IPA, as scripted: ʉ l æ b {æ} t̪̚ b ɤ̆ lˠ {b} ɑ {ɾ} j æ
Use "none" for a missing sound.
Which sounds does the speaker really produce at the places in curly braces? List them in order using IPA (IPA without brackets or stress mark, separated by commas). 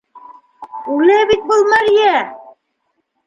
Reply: i, m, ɾ